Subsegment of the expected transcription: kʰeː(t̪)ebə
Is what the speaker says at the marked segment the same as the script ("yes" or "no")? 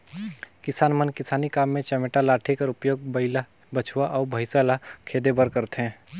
no